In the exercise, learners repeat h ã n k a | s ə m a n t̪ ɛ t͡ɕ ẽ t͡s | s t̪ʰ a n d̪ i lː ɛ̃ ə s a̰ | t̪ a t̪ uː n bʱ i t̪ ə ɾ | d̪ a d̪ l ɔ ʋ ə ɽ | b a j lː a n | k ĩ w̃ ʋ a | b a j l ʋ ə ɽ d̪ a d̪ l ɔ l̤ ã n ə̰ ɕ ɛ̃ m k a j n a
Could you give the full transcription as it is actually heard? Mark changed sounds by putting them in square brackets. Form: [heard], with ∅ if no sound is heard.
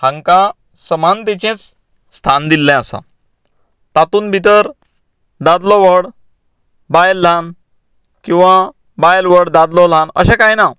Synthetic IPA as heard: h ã [ŋ] k a | s ə m a n t̪ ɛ t͡ɕ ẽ t͡s | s t̪ʰ a n d̪ i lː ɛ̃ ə s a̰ | t̪ a t̪ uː n bʱ i t̪ ə ɾ | d̪ a d̪ l ɔ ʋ ə ɽ | b a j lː a n | k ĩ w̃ ʋ a | b a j l ʋ ə ɽ d̪ a d̪ l ɔ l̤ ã n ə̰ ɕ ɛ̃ [∅] k a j n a